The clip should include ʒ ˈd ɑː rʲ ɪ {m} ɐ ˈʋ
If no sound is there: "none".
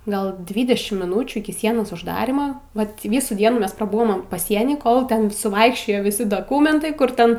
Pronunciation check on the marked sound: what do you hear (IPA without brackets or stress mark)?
m